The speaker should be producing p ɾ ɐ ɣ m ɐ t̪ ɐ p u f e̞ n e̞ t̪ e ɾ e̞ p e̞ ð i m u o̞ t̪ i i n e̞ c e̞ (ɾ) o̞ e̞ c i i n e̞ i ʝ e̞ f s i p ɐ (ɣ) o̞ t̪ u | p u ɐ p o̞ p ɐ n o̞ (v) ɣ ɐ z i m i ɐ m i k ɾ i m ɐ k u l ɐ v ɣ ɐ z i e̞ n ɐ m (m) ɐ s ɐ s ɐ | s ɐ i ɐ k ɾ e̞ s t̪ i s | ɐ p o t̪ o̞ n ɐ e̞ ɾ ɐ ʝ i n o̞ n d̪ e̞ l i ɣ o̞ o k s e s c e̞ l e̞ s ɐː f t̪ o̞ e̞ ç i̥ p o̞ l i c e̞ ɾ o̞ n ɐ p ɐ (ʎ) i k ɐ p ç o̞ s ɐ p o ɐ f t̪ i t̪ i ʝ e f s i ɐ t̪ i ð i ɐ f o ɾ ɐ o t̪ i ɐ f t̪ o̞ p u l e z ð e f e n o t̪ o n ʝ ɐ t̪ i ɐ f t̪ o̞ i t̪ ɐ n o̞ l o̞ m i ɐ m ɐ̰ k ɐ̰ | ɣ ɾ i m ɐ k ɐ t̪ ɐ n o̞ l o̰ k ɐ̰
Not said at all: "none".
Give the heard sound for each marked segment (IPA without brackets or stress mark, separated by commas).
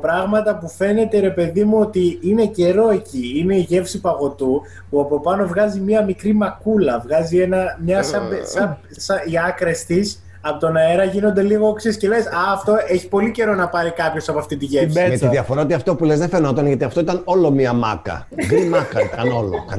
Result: ɾ, ɣ, v, ɲ, ɾ